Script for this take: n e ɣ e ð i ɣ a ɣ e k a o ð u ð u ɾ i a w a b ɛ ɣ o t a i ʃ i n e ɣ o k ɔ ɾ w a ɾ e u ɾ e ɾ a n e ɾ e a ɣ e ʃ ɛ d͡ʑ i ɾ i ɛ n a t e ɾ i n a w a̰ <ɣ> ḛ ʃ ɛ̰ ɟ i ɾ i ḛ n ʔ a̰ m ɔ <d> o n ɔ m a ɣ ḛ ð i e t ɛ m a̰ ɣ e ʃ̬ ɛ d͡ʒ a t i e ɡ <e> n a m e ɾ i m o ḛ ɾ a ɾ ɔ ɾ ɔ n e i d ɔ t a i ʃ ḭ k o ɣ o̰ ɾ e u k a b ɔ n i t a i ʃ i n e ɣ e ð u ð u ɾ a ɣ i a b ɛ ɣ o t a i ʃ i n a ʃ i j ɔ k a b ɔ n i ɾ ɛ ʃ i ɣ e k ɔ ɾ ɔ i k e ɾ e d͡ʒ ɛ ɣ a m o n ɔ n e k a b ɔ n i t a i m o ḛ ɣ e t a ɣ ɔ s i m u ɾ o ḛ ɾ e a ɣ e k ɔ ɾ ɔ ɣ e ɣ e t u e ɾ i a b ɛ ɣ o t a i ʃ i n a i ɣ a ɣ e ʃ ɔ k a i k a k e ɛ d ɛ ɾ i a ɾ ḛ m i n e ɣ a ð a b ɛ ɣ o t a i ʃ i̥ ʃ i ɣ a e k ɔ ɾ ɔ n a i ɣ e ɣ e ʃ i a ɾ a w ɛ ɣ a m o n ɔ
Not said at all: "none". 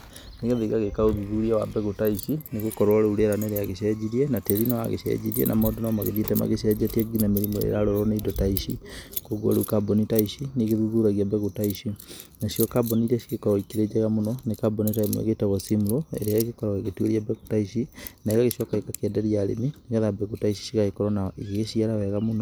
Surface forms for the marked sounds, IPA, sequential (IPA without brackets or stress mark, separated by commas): ɣ, d, i